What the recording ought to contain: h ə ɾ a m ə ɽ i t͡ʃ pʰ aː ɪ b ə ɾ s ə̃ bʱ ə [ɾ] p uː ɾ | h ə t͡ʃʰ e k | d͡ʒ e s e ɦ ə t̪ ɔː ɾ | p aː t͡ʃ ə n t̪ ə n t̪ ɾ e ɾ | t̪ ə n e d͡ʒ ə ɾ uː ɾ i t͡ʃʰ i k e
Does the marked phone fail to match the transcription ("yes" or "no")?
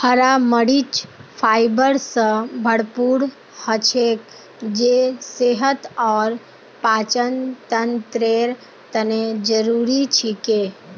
yes